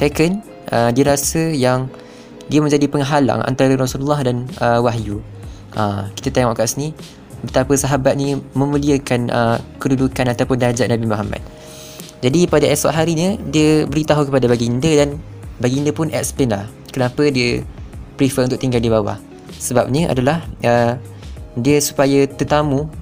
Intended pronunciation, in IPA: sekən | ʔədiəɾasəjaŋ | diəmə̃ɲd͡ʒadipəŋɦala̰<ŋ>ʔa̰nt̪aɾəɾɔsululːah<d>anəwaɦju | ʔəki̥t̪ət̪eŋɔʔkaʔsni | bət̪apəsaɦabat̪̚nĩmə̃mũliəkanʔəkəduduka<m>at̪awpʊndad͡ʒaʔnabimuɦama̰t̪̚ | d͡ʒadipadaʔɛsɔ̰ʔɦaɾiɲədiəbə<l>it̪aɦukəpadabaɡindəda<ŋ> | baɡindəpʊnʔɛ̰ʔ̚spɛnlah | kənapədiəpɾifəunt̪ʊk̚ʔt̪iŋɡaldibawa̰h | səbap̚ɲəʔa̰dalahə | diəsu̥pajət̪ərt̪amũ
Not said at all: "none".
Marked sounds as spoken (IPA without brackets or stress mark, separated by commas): ŋ, d, n, ɾ, n